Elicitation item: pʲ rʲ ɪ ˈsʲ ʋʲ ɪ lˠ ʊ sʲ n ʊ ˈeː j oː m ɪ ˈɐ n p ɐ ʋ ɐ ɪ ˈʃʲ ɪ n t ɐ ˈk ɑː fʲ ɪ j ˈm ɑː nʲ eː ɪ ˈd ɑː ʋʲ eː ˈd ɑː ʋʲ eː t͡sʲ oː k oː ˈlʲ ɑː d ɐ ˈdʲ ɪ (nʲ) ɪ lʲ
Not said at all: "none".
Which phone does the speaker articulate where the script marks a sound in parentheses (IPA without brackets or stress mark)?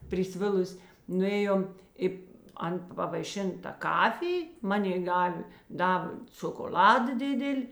dʲ